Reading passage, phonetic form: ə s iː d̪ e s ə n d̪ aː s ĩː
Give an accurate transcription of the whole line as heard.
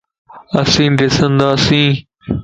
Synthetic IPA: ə s ĩː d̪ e s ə n d̪ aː s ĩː

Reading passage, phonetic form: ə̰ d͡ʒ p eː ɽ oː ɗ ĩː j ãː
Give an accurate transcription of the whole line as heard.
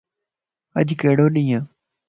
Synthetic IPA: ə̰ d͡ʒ k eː ɽ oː ɗ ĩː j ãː

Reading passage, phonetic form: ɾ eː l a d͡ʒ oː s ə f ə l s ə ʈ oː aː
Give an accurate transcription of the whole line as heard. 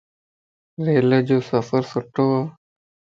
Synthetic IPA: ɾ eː l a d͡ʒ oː s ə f ə ɾ s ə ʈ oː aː

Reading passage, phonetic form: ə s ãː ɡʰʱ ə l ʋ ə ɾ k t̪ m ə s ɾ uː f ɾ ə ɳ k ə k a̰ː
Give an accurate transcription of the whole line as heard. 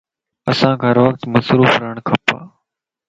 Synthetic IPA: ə s ãː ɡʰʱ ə ɾ ʋ ə k t̪ m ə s ɾ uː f ɾ ə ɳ kʰ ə p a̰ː

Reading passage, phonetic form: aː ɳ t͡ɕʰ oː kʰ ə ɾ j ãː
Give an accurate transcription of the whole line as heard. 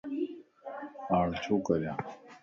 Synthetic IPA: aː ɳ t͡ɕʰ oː k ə ɾ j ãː

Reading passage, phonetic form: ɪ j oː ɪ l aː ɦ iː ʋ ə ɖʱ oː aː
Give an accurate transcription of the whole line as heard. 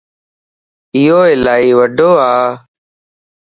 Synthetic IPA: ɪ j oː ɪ l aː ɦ iː ʋ ə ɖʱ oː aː

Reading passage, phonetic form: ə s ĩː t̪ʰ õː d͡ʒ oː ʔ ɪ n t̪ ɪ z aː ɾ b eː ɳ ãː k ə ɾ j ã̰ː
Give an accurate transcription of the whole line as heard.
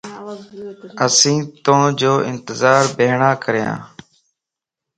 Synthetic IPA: ə s ĩː t̪ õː d͡ʒ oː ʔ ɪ n t̪ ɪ z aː ɾ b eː ɳ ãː k ə ɾ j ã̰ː

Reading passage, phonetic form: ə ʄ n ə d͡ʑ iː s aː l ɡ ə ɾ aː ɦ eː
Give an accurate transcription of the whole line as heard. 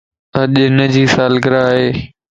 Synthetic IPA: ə ʄ n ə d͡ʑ iː s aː l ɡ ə ɾ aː ɦ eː

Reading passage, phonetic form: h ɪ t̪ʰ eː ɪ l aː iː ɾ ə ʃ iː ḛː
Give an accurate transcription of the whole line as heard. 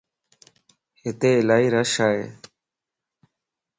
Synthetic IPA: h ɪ t̪ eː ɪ l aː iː ɾ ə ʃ aː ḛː

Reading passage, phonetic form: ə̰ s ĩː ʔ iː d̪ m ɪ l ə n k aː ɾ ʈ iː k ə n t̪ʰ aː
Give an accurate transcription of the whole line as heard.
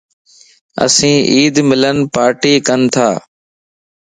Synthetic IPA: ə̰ s ĩː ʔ iː d̪ m ɪ l ə n p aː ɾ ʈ iː k ə n t̪ʰ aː

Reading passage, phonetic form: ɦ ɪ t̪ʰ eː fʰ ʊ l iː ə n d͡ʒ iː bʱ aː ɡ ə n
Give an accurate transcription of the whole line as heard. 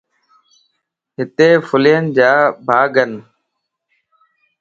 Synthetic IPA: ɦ ɪ t̪ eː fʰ ʊ l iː ə n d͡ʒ aː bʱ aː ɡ ə n

